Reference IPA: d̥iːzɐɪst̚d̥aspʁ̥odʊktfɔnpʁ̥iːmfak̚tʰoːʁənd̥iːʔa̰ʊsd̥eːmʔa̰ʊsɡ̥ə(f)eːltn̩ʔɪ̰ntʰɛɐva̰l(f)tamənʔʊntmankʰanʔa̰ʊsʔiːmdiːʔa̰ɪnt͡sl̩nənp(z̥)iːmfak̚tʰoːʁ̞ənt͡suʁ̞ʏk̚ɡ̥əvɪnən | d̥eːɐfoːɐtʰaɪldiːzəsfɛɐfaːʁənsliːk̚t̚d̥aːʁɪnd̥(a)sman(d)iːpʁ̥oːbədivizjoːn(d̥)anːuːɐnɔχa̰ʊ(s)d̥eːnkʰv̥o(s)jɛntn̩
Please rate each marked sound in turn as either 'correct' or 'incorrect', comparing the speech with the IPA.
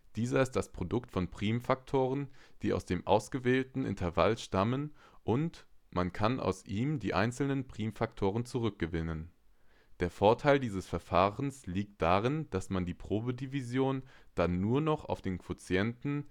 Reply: incorrect: v, incorrect: ʃ, incorrect: ʁ̥, correct, correct, correct, incorrect: f, incorrect: t͡s

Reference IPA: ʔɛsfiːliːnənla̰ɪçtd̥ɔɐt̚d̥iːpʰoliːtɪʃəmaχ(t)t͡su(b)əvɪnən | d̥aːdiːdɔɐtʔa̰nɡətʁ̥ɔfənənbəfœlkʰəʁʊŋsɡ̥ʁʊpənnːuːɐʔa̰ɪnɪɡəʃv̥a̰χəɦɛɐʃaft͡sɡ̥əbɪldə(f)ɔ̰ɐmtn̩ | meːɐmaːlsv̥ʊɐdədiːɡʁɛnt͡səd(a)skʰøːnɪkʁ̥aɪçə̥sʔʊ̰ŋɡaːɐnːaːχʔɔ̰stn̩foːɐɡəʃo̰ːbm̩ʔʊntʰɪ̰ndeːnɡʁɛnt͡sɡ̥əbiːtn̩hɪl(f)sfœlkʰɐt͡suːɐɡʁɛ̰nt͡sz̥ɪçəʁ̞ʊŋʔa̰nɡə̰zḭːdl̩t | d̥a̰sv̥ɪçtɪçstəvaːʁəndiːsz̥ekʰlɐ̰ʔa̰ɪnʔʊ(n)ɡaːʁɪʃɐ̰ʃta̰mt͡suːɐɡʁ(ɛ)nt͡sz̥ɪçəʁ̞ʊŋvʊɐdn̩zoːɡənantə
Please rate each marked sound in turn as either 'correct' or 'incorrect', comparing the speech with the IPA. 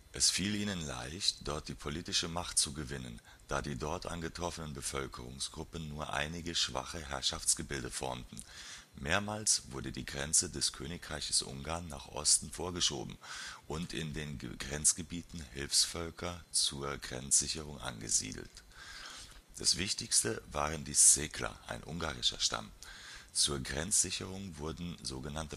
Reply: correct, incorrect: ɡ, correct, incorrect: ɛ, correct, incorrect: ŋ, correct

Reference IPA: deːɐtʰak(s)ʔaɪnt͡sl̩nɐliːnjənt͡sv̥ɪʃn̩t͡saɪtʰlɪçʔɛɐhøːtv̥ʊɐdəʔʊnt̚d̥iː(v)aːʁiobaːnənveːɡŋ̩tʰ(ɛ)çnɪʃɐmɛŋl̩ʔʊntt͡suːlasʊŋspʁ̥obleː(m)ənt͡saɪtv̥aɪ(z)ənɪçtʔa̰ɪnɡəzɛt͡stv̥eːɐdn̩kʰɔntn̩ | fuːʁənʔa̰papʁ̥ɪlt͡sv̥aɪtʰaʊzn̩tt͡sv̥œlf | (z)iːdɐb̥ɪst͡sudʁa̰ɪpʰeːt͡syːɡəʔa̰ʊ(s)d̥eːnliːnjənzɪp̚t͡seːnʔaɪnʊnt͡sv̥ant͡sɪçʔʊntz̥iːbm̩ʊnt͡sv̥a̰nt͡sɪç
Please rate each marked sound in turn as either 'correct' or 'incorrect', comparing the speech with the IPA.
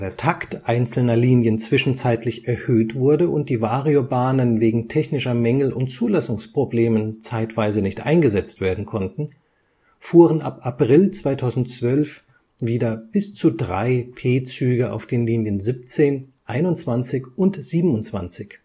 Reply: incorrect: t, correct, correct, correct, correct, incorrect: v, incorrect: f

